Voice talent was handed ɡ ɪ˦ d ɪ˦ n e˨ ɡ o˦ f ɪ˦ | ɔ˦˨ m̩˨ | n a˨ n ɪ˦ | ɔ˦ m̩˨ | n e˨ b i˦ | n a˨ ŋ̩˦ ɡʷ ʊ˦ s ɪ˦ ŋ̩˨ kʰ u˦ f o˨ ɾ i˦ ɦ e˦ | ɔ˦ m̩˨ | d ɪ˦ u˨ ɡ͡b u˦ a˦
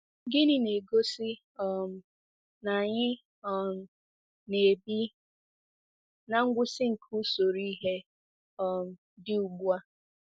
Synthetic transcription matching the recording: ɡ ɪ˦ n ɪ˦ n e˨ ɡ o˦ s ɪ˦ | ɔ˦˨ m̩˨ | n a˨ ɲ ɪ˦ | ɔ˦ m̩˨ | n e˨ b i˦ | n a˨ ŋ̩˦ ɡʷ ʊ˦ s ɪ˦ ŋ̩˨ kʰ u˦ s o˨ ɾ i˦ ɦ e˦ | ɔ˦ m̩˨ | d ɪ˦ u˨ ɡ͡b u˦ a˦